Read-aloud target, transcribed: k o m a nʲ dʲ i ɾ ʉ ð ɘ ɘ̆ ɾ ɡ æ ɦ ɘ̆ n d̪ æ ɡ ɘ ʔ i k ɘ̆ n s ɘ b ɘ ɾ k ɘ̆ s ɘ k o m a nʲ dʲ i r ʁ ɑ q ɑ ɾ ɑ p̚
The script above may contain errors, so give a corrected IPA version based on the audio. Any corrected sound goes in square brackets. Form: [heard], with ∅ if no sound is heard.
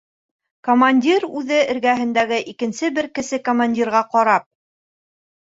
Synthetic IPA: k o m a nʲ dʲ i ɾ ʉ ð ɘ ɘ̆ ɾ ɡ æ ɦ ɘ̆ n d̪ æ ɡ ɘ ʔ i k ɘ̆ n s ɘ b ɘ ɾ k ɘ̆ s ɘ k o m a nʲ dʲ i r ʁ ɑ q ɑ ɾ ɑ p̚

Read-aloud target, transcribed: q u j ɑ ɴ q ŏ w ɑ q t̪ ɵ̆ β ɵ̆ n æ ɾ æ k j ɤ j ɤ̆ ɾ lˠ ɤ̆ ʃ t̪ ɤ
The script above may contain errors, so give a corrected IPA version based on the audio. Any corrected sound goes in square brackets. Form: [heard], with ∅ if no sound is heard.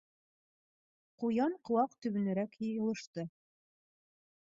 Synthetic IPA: q u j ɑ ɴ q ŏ w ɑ q t̪ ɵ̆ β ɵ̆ n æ ɾ æ k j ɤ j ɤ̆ [∅] lˠ ɤ̆ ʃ t̪ ɤ

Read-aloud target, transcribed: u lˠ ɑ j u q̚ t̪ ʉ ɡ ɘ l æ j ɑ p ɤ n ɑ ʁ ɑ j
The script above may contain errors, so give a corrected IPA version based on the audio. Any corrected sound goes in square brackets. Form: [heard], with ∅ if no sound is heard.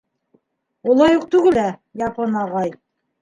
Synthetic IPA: u lˠ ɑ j u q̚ t̪ ʉ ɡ ɘ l æ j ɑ p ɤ n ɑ ʁ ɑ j

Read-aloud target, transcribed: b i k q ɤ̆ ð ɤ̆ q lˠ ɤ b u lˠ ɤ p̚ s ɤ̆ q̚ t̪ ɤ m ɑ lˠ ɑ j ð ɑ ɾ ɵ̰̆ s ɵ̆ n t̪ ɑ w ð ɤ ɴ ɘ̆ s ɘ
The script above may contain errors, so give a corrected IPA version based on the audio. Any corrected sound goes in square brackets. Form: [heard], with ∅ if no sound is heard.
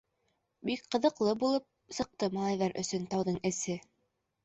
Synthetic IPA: b i k q ɤ̆ ð ɤ̆ q lˠ ɤ b u lˠ ɤ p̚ s ɤ̆ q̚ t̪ ɤ m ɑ lˠ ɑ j ð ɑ ɾ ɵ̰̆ s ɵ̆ n t̪ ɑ w ð ɤ ɴ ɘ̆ s ɘ

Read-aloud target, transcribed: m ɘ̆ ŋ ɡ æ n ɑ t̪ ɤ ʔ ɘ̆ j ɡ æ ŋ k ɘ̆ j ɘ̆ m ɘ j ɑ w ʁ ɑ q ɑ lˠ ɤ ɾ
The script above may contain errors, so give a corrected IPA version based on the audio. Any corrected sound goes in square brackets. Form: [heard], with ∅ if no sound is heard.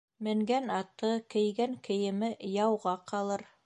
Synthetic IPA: m ɘ̆ ŋ ɡ æ n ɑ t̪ ɤ [k] ɘ̆ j ɡ æ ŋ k ɘ̆ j ɘ̆ m ɘ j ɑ w ʁ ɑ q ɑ lˠ ɤ ɾ

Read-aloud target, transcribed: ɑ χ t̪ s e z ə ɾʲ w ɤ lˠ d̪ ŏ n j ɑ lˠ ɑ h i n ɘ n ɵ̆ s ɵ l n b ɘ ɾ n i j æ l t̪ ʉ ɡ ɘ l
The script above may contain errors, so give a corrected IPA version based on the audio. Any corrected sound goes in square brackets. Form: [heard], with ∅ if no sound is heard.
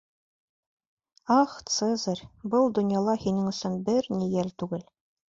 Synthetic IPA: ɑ χ t̪ s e z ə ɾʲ [b] ɤ lˠ d̪ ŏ n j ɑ lˠ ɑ h i n ɘ [ŋ] ɵ̆ s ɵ [∅] n b ɘ ɾ n i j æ l t̪ ʉ ɡ ɘ l

